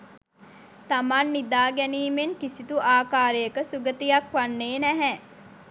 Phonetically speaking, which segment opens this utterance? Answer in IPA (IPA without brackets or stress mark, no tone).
t̪